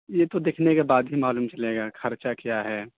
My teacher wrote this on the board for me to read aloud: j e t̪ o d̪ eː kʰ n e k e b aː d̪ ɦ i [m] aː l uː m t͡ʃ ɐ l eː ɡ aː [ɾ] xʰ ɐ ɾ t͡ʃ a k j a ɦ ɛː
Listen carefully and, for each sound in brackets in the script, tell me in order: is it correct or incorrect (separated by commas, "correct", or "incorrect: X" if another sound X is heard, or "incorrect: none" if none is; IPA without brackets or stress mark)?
correct, incorrect: none